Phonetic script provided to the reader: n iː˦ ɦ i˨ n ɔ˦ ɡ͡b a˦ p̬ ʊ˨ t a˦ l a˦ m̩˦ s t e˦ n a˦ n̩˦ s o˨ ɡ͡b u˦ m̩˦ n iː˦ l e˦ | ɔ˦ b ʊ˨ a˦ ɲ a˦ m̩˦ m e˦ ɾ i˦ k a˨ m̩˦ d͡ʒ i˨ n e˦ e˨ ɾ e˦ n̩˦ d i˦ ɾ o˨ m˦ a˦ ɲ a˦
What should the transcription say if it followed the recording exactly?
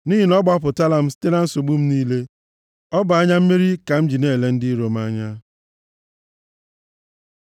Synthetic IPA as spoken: n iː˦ ɦ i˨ n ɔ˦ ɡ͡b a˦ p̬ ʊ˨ t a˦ l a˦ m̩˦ s t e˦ n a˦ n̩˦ s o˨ ɡ͡b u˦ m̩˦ n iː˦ l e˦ | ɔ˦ b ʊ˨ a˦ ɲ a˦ m̩˦ m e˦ ɾ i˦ k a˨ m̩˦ d͡ʒ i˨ n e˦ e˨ l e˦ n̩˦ d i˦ ɾ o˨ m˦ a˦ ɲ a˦

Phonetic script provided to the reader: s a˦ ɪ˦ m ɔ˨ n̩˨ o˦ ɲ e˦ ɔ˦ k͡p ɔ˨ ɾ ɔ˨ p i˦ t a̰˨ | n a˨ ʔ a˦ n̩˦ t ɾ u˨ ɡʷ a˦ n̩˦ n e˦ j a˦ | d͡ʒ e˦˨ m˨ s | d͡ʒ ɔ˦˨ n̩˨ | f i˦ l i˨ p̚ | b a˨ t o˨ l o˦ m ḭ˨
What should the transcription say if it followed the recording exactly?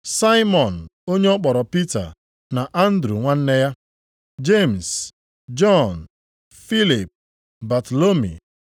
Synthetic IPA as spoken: s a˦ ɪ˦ m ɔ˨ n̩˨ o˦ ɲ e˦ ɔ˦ k͡p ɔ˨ ɾ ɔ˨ p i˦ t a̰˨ | n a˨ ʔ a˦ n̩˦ d ɾ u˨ ŋʷ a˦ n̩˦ n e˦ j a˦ | d͡ʒ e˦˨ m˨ s | d͡ʒ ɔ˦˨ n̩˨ | f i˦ l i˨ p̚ | b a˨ t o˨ l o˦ m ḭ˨

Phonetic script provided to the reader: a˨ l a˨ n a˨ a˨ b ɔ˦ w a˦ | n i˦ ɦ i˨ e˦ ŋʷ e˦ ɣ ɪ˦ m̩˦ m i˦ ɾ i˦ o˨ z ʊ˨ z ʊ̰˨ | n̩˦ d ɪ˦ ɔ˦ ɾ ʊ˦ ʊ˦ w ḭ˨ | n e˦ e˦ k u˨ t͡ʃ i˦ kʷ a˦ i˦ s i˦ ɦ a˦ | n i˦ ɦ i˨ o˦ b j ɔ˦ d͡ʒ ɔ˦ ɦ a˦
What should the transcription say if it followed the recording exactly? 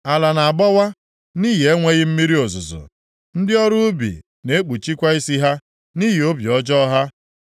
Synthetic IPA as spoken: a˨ l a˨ n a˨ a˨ b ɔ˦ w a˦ | n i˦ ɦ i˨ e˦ ŋʷ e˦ ɣ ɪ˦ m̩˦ m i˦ ɾ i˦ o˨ z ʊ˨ z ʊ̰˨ | n̩˦ d ɪ˦ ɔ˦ ɾ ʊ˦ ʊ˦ b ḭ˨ | n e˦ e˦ k͡p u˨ t͡ʃ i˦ kʷ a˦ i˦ s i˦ ɦ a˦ | n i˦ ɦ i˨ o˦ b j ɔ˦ d͡ʒ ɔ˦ ɦ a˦

